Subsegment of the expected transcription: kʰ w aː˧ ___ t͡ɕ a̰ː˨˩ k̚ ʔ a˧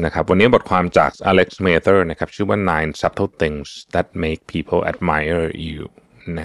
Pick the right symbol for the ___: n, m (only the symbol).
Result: m